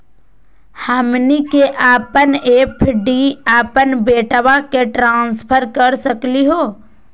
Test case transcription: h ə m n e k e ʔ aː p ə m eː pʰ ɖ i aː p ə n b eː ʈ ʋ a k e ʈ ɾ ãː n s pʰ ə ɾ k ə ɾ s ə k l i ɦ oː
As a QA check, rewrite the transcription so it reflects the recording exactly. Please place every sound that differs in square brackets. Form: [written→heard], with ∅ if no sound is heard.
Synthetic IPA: h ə m n [e→i] k e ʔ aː p ə [m→n] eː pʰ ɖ i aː p ə n b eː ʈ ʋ a k e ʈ ɾ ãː n s pʰ ə ɾ k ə ɾ s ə k l i ɦ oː